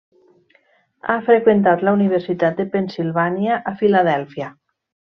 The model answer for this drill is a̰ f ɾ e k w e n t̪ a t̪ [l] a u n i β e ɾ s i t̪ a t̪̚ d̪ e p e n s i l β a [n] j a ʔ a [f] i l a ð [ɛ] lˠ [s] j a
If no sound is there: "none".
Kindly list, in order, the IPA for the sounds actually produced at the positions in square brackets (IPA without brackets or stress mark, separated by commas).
l, n, f, ɛ, f